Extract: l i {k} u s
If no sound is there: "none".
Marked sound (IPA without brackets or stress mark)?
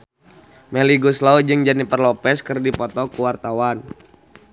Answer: ɡ